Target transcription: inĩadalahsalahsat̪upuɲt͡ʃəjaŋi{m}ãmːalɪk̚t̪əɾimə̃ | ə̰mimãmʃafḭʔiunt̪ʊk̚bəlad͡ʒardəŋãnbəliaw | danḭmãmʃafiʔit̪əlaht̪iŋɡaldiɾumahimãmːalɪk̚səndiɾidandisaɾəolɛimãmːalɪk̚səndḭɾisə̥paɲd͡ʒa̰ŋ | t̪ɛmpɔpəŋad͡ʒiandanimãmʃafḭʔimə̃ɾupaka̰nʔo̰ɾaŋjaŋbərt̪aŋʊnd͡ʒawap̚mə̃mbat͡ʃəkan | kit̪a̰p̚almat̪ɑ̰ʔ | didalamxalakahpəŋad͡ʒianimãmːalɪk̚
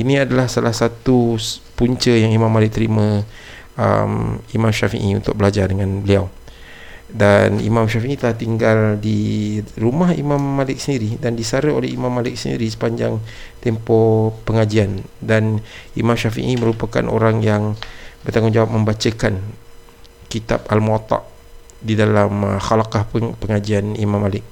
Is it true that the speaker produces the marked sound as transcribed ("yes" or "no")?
yes